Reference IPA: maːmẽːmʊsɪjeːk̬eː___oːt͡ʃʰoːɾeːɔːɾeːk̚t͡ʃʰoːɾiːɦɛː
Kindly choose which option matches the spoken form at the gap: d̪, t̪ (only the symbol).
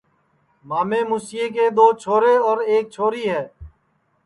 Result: d̪